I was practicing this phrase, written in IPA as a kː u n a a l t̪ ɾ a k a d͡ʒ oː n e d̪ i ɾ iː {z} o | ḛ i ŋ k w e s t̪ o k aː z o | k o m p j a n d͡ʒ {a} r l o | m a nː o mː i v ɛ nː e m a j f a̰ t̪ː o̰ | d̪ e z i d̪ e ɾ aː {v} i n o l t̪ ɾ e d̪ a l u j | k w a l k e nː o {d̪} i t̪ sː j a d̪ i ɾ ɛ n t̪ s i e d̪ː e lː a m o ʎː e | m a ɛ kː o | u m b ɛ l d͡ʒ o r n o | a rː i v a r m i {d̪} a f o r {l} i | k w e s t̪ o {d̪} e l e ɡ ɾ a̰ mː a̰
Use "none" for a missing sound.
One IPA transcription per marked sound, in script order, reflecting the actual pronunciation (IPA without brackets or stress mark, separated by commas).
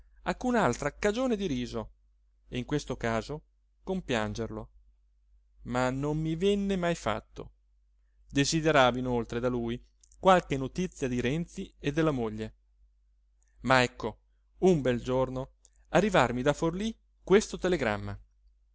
z, e, v, t̪, d̪, l, t̪